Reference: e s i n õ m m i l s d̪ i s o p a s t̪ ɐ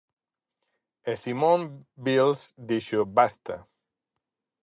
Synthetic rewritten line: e s i m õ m b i l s d̪ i ʃ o b a s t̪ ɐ